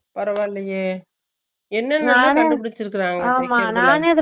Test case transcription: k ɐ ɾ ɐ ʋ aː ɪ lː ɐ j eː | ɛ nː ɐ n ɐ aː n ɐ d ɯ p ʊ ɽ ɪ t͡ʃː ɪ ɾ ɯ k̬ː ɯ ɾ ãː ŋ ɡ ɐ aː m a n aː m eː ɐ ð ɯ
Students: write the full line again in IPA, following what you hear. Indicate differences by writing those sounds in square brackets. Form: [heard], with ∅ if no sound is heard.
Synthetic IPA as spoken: [p] ɐ ɾ ɐ ʋ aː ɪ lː ɐ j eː | ɛ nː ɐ n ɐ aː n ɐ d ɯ p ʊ ɽ ɪ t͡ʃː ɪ ɾ ɯ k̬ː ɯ ɾ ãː ŋ ɡ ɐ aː m a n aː [n] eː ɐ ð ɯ